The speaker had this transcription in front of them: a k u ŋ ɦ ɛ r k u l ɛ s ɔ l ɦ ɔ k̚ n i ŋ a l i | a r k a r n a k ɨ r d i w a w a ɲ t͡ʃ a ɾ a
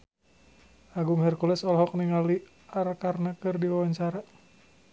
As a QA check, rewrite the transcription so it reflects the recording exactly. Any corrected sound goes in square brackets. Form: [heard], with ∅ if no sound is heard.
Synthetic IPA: a [ɡ] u ŋ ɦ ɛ r k u l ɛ s ɔ l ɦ ɔ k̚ n i ŋ a l i | a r k a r n a k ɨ r d i w a w a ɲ t͡ʃ a ɾ a